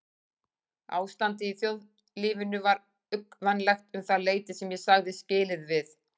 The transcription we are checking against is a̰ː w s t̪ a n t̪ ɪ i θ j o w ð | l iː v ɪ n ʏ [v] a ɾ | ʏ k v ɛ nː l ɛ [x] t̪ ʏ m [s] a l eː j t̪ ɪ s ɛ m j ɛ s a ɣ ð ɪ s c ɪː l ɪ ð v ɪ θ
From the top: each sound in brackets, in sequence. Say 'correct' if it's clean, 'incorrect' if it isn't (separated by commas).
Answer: correct, correct, incorrect